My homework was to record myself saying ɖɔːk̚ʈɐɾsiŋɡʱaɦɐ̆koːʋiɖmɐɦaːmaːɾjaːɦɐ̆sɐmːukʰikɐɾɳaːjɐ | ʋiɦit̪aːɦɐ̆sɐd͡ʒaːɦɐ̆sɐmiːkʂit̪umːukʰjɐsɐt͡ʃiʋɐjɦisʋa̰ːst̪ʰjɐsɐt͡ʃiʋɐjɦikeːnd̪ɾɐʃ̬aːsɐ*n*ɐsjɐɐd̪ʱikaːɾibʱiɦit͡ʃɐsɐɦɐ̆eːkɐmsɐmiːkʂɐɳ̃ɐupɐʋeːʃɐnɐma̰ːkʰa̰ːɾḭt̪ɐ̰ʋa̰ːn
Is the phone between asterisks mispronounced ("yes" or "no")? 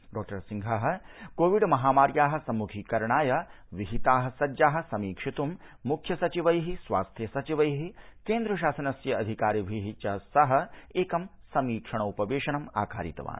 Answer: no